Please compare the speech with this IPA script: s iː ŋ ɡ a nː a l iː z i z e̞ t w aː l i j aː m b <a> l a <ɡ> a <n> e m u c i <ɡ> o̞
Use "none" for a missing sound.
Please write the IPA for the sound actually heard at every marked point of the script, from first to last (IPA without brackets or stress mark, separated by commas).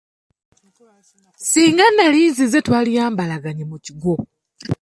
a, ɡ, ɲ, ɡ